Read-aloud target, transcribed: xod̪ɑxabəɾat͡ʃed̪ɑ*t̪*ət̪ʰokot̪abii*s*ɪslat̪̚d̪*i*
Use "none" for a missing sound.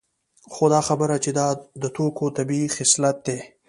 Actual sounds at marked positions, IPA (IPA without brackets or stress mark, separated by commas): d̪, x, e